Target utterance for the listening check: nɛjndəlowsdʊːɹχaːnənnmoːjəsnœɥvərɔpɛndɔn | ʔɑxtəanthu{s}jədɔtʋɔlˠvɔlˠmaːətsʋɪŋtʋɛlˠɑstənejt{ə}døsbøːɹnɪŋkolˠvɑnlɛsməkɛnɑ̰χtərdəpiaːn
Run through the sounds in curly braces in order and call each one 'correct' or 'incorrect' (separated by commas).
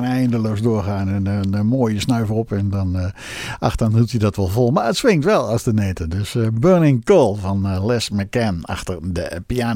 incorrect, correct